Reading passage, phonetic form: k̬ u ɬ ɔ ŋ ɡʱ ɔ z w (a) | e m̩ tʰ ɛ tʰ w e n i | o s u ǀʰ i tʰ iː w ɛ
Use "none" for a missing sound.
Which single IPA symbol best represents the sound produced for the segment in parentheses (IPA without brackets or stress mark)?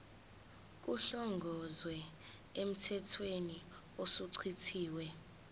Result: ɛ